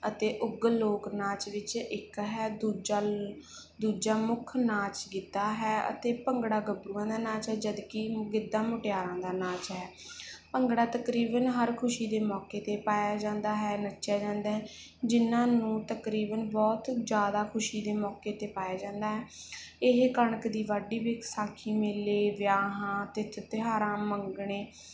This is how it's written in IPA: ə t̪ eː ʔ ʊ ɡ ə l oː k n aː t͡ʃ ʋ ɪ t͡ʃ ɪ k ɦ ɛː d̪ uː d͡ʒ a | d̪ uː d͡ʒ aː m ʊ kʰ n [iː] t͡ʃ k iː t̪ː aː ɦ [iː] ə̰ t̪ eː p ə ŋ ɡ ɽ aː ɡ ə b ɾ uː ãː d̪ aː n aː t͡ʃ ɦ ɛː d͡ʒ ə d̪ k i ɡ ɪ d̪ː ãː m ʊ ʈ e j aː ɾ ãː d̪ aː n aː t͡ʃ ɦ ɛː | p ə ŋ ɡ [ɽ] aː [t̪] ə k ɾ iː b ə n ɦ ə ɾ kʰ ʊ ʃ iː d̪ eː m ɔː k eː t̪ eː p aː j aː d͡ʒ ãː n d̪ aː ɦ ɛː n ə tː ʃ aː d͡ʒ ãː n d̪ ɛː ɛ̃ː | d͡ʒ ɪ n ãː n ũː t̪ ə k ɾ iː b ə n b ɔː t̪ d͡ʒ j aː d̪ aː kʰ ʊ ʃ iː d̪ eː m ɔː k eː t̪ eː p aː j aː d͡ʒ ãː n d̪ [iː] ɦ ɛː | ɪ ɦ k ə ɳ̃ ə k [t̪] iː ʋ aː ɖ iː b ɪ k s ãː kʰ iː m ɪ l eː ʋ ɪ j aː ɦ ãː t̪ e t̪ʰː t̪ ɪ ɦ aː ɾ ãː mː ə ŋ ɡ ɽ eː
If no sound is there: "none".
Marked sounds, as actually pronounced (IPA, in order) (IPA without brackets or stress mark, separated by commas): aː, ɛː, ɽ, t̪, aː, d̪